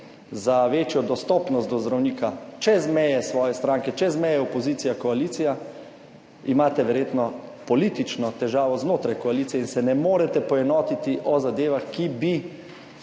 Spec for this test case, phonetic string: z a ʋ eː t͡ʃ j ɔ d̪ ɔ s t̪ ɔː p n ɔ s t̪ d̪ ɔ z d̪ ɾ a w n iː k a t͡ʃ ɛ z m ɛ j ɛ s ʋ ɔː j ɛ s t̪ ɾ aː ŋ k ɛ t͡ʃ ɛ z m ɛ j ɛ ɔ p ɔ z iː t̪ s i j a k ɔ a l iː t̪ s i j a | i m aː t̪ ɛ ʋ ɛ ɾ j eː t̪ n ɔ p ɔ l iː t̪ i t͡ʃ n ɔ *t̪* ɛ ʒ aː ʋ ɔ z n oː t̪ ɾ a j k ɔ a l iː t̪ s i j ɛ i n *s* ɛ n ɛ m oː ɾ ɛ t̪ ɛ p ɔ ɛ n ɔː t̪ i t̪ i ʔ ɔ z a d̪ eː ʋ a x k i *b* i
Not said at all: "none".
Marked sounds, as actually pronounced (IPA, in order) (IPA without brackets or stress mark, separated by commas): t̪, s, b